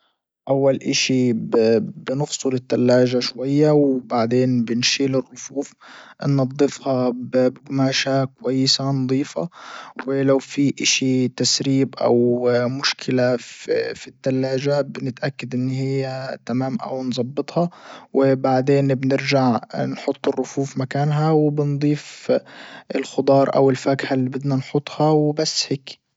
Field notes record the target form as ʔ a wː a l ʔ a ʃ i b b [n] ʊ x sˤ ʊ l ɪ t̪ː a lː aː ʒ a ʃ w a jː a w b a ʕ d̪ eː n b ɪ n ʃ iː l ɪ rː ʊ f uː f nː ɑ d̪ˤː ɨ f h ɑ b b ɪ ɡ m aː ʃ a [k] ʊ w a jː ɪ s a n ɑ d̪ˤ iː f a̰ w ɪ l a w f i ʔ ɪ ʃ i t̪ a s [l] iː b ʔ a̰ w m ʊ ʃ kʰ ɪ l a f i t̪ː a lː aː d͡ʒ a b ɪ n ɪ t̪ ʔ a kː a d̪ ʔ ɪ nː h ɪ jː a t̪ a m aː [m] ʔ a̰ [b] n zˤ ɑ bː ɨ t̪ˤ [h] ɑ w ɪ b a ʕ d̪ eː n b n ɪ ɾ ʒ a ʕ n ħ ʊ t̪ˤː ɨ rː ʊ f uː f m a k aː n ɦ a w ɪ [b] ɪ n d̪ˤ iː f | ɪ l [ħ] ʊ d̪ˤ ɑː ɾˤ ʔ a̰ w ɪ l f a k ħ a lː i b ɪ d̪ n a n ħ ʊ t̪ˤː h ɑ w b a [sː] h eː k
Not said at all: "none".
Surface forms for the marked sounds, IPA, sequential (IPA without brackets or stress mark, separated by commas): n, k, ɾ, m, w, h, b, x, sː